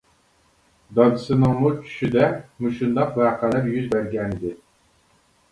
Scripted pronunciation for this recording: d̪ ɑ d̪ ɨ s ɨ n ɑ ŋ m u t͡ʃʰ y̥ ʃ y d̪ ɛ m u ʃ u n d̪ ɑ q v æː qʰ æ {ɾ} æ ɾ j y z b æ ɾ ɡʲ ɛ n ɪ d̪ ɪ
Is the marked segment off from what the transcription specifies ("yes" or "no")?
yes